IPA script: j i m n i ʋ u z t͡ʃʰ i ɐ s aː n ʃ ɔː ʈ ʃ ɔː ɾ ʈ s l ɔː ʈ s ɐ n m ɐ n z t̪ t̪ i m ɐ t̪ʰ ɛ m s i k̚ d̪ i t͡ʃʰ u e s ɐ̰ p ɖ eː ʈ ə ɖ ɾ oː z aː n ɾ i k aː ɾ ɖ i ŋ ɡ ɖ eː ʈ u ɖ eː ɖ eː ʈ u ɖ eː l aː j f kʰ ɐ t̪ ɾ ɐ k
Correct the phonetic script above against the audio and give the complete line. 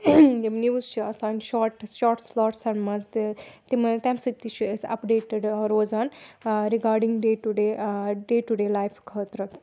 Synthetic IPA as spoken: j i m n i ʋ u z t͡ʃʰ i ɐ s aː n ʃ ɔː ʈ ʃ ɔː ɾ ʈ s l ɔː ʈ s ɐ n m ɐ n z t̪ t̪ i m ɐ t̪ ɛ m s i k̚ t̪ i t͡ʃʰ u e s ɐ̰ p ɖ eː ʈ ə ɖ ɾ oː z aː n ɾ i ɡ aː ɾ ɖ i ŋ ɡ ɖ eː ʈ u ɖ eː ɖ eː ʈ u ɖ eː l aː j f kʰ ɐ t̪ ɾ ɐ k